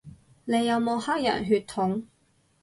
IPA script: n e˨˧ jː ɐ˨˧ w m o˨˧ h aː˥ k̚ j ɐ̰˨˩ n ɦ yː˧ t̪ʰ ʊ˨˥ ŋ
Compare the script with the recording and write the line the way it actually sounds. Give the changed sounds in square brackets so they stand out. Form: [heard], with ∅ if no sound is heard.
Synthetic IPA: n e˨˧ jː ɐ˨˧ w m o˨˧ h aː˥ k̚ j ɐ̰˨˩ n ɦ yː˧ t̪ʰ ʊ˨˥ ŋ